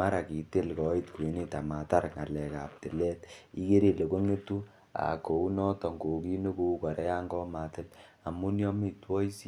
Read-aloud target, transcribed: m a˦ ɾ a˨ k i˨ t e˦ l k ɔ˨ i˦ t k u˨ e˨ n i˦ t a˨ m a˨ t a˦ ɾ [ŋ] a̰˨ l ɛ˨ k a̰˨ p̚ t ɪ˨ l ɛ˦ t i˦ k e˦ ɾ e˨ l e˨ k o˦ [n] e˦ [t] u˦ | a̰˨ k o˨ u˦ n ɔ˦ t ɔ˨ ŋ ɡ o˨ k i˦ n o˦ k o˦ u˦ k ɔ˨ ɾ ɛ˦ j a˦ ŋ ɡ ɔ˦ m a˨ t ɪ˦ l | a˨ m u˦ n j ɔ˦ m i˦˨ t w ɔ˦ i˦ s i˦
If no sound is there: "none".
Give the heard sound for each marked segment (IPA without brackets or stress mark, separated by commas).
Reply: ŋ, ŋ, t